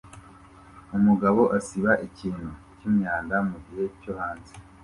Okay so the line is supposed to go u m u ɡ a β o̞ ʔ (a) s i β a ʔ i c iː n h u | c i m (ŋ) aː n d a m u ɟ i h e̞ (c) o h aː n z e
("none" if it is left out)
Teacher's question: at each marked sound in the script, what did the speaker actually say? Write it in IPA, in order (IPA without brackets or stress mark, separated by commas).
a, ɲ, c